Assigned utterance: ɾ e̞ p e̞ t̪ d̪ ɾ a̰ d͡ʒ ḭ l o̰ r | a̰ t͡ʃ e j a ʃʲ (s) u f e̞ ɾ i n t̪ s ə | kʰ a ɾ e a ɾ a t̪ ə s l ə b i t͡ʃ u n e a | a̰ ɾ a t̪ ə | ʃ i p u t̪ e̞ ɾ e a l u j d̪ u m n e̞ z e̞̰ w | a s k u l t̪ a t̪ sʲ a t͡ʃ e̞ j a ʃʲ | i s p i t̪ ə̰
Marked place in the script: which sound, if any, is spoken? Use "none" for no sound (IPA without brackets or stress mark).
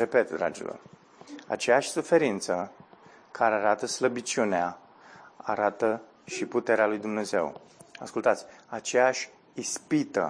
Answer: s